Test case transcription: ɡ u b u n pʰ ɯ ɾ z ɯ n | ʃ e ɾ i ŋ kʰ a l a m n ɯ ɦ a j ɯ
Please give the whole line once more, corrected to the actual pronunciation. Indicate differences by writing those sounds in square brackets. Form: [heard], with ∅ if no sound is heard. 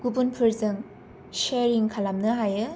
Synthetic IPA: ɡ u b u n pʰ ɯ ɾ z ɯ [ŋ] | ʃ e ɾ i ŋ kʰ a l a m n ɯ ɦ a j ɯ